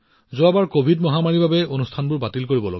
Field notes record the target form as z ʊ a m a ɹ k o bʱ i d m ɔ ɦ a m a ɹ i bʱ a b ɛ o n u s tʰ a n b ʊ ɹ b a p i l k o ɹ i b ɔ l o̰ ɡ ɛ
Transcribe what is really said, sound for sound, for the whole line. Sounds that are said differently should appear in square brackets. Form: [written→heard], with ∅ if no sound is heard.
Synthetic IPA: z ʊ a [m→b] a ɹ k o bʱ i d m ɔ ɦ a m a ɹ i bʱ a b ɛ o n u s tʰ a n b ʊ ɹ b a [p→t] i l k o ɹ i b ɔ l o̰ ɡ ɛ

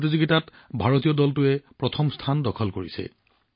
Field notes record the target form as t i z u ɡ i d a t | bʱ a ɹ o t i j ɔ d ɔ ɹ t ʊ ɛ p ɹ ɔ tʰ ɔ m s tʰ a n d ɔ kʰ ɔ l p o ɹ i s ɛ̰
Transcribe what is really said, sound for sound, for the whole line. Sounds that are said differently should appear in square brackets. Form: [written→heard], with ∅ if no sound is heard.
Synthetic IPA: t i z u ɡ i [d→t] a t | bʱ a ɹ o t i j ɔ d ɔ [ɹ→l] t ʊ ɛ p ɹ ɔ tʰ ɔ m s tʰ a n d ɔ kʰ ɔ l [p→k] o ɹ i s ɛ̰

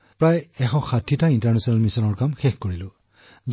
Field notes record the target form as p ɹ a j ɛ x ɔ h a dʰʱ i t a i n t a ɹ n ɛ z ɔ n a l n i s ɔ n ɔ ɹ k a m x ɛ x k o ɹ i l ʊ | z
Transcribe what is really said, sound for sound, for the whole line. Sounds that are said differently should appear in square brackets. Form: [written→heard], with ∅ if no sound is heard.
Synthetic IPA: p ɹ a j ɛ x ɔ [h→x] a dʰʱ i t a i n t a ɹ n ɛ [z→s] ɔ n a l [n→m] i s ɔ n ɔ ɹ k a m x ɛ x k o ɹ i l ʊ | z

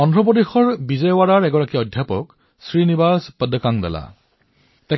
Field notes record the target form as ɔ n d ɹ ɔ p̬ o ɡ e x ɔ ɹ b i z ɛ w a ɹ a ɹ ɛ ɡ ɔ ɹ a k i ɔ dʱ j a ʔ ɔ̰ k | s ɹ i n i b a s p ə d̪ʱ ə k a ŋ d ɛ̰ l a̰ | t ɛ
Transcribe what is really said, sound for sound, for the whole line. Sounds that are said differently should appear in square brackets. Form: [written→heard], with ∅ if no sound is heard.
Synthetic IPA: ɔ n d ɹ ɔ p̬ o [ɡ→d] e x ɔ ɹ b i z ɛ w a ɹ a ɹ ɛ ɡ ɔ ɹ a k i ɔ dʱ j a [ʔ→p] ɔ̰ k | s ɹ i n i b a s p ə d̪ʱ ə k a ŋ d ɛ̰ l a̰ | t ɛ

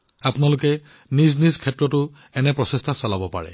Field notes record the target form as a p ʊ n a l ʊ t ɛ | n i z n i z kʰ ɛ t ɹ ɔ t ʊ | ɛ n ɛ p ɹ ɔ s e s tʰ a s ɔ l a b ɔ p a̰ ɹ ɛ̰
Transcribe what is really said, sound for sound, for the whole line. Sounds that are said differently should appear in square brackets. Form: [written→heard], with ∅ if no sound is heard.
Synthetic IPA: a p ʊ n a l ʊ [t→k] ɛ | n i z n i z kʰ ɛ t ɹ ɔ t ʊ | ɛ n ɛ p ɹ ɔ s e s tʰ a s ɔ l a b ɔ p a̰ ɹ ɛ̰

